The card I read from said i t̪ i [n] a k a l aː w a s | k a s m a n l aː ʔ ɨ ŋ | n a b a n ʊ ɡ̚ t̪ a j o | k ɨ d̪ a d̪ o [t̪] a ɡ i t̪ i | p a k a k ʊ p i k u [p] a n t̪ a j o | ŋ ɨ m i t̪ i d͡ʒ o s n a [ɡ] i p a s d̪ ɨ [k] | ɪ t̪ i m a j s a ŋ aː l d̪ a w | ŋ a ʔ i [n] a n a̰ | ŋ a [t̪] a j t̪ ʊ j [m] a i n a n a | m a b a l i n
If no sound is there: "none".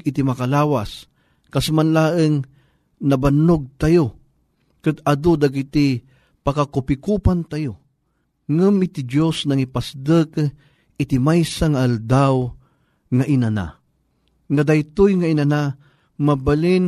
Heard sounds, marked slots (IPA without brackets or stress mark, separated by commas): m, d̪, p, ŋ, k, n, d̪, ŋ